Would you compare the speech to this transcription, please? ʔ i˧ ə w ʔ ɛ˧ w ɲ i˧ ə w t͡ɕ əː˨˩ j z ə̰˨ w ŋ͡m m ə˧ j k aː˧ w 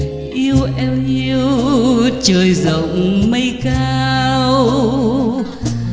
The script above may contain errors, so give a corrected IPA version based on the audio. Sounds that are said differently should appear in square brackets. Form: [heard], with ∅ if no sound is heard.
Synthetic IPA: ʔ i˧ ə w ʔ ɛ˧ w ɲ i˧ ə w t͡ɕ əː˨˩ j z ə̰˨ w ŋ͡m m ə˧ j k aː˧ w